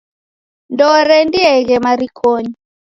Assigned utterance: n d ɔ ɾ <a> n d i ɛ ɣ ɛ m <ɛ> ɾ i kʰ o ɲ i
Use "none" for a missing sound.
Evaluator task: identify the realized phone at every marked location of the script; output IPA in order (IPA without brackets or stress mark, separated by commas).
ɛ, a